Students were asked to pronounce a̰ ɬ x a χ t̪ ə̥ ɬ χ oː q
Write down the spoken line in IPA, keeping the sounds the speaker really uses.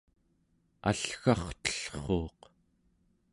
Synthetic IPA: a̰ ɬ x ɑ χ t̪ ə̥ ɬ χ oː q